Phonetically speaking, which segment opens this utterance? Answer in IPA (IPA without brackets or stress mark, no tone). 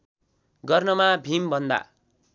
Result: ɡ